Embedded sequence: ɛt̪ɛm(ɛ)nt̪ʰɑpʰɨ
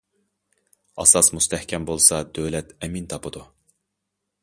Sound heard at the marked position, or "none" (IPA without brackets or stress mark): i